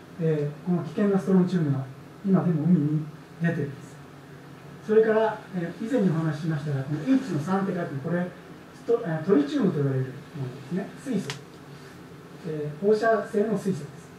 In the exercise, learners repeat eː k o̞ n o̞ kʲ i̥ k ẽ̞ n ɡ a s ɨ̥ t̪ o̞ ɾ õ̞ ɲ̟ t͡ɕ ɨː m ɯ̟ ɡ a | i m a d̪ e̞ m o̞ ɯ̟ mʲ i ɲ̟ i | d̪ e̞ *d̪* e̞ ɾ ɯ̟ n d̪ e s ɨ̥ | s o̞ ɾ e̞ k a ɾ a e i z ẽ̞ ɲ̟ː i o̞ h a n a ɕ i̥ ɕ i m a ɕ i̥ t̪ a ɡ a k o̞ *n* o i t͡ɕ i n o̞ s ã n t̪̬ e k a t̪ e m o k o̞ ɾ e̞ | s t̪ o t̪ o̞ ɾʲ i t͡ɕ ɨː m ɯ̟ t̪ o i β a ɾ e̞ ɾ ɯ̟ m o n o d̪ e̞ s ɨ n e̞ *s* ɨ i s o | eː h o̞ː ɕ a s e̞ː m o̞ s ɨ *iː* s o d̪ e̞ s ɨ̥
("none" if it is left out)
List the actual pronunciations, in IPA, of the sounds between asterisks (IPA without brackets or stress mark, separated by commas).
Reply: t̪, n, s, i